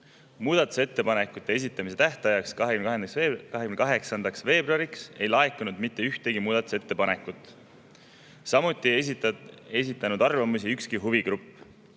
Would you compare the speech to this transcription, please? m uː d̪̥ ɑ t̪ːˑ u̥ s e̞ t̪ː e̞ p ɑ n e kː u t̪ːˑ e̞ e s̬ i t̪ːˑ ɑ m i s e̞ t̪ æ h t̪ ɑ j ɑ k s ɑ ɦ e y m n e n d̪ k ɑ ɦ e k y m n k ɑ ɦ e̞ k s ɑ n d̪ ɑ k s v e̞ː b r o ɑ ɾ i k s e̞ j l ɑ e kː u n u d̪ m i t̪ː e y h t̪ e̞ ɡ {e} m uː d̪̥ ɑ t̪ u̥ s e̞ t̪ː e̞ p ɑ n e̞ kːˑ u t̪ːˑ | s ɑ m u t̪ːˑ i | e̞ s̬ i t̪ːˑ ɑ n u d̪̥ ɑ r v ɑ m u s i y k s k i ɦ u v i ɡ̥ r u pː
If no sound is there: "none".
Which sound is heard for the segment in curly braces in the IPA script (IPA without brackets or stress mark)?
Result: i